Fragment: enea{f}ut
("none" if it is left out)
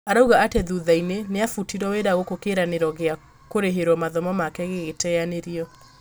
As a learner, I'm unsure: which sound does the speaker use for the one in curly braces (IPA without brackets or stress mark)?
f